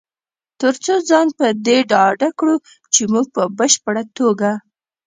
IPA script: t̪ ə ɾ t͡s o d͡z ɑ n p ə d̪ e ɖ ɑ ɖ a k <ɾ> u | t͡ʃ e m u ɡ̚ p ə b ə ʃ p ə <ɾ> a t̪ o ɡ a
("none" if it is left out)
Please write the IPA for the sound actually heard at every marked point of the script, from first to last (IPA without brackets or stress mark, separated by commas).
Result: ɽ, ɽ